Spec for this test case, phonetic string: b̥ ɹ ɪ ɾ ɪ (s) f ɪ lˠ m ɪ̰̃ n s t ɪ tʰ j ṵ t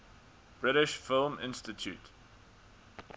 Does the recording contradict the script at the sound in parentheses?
yes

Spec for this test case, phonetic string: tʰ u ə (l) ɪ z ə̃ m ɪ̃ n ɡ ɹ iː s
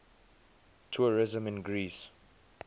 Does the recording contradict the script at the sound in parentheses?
yes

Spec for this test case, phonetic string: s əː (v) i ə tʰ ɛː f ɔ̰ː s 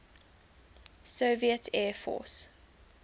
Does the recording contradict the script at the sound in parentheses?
no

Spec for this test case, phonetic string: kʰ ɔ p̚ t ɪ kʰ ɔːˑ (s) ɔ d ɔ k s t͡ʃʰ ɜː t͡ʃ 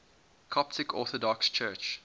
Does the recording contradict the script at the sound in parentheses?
yes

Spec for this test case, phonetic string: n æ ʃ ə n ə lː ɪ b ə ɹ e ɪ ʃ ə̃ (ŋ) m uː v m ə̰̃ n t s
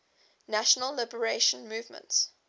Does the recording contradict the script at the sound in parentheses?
yes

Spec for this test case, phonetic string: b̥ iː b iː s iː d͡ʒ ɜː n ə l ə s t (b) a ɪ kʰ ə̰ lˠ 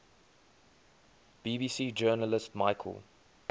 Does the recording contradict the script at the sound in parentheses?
yes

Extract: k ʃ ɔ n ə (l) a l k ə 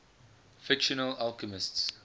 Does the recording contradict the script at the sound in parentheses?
no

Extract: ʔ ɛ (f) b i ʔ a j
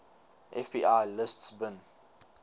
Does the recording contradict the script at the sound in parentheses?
no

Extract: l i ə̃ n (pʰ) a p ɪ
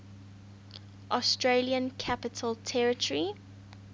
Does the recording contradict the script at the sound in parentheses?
yes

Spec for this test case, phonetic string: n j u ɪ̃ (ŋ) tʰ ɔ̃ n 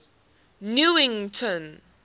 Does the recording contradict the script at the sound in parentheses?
no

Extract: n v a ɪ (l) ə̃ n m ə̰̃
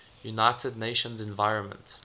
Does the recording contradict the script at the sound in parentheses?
yes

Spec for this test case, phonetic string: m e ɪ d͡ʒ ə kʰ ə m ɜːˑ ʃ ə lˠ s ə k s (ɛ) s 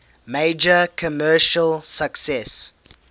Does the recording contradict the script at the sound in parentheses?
no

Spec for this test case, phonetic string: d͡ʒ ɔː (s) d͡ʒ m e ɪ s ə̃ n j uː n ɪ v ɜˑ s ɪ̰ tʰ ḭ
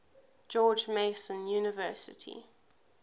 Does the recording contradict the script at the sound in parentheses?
yes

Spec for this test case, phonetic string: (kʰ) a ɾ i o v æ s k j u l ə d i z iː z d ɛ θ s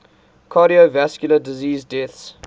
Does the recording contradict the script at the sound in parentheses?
no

